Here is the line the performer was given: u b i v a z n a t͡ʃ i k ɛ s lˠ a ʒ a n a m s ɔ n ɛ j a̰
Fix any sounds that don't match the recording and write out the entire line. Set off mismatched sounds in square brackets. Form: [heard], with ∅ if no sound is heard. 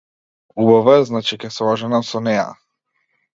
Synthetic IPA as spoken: u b [a] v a z n a t͡ʃ i k ɛ s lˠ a ʒ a n a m s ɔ n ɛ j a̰